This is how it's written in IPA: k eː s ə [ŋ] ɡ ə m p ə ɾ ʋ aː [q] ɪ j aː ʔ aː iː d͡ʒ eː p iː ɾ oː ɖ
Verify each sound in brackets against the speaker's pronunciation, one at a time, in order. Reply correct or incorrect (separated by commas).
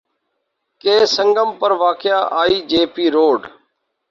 correct, incorrect